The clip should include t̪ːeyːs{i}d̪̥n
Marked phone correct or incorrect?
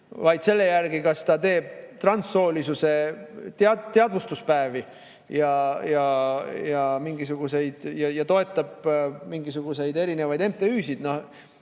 correct